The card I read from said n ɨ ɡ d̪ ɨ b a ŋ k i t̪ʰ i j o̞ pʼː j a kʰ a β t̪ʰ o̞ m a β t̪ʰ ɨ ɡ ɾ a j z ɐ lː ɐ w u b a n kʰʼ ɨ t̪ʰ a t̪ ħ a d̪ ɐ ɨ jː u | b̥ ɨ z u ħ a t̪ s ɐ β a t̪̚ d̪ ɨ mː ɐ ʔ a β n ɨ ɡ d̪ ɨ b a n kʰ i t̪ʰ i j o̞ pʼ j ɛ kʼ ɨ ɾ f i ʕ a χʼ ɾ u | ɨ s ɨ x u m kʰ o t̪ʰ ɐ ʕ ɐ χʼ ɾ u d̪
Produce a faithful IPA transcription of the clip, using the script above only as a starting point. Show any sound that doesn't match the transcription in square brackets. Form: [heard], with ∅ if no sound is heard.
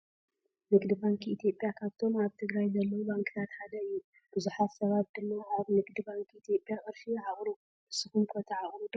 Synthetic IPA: n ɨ ɡ d̪ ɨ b a ŋ k i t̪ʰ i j o̞ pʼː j a kʰ a β t̪ʰ o̞ m a β t̪ʰ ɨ ɡ ɾ a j z ɐ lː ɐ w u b a [ŋ] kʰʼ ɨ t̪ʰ a t̪ ħ a d̪ ɐ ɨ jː u | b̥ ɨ z u ħ a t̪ s ɐ β a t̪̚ d̪ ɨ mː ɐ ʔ a β n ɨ ɡ d̪ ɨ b a [ŋ] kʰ i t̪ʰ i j o̞ pʼ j [a] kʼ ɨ ɾ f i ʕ a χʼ ɾ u | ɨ s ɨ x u m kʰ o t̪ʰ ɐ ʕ [a] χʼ ɾ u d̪